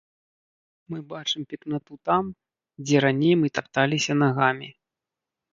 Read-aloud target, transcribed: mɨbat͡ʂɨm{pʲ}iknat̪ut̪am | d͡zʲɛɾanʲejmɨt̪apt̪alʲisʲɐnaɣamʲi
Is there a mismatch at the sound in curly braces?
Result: no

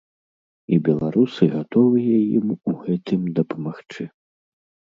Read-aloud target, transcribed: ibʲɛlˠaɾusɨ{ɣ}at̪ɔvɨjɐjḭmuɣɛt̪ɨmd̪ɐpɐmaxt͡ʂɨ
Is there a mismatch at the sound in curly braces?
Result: no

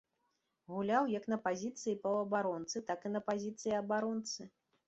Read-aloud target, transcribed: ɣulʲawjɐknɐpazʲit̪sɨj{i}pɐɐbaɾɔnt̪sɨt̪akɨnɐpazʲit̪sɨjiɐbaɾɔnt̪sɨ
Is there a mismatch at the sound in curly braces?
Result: no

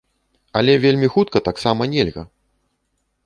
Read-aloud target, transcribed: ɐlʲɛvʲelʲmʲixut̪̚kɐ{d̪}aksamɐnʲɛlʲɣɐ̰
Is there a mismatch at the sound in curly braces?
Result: yes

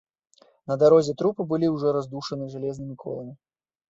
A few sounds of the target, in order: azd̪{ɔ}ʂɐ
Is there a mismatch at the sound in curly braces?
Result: yes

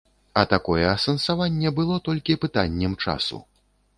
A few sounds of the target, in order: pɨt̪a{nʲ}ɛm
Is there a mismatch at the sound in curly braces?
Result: yes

